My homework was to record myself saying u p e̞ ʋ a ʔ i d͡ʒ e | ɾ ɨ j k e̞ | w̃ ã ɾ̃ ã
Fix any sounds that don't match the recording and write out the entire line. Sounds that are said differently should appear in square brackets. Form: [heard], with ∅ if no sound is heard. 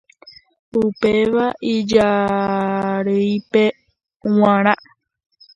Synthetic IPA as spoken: u p e̞ ʋ a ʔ i d͡ʒ [a] | ɾ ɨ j [p] e̞ | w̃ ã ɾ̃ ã

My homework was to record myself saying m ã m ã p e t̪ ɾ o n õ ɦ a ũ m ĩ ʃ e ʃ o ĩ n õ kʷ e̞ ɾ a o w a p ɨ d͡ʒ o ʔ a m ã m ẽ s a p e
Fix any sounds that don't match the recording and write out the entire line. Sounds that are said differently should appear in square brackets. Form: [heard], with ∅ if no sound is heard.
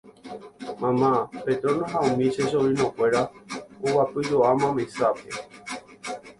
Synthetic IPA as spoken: m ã m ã p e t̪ ɾ o n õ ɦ a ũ m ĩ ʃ e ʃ o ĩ n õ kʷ e̞ ɾ a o w a p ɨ d͡ʒ o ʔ a m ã m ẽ s a p e

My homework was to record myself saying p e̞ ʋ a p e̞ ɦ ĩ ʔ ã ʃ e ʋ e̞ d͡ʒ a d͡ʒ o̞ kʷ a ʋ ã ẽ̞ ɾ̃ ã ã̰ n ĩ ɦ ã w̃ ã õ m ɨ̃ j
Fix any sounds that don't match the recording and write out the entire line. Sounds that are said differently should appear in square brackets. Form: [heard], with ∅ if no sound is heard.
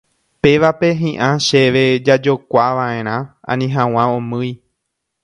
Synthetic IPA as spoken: p e̞ ʋ a p e̞ ɦ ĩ ʔ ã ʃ e ʋ e̞ d͡ʒ a d͡ʒ o̞ kʷ a ʋ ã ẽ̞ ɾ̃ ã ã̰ n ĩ ɦ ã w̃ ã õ m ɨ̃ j

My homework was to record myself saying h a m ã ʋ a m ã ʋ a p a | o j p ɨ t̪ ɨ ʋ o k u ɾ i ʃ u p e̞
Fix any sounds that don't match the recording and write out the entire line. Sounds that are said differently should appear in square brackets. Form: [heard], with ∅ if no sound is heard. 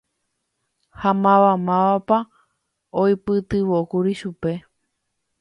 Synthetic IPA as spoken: h a m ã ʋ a m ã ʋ a p a | o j p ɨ t̪ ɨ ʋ o k u ɾ i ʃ u p e̞

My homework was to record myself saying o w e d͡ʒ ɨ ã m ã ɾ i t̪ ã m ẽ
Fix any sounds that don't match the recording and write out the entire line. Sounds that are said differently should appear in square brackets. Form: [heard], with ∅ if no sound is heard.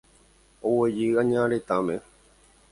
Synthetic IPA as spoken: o w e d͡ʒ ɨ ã [ɲ] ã ɾ [e] t̪ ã m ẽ

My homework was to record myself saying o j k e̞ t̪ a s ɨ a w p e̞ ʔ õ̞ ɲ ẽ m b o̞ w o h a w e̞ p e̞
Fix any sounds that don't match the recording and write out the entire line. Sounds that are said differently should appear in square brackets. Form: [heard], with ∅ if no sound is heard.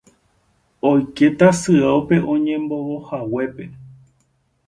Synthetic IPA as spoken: o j k e̞ t̪ a s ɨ a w p e̞ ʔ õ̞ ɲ ẽ m b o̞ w o h a w e̞ p e̞

